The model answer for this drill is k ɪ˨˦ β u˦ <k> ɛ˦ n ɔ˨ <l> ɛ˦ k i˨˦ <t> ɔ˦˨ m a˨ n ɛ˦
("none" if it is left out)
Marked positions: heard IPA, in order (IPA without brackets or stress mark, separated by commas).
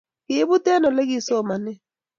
t, l, s